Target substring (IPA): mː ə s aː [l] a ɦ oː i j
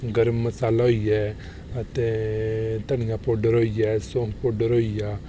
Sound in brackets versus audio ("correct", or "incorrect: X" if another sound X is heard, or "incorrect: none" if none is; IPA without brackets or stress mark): correct